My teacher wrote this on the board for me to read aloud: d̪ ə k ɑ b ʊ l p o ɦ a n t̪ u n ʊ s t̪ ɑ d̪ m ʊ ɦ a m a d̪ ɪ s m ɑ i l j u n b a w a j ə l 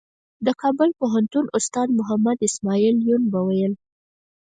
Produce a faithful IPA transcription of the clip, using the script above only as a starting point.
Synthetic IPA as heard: d̪ ə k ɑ b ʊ l p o ɦ a n t̪ u n ʊ s t̪ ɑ d̪ m ʊ ɦ a m a d̪ ɪ s m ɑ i l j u n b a w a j ə l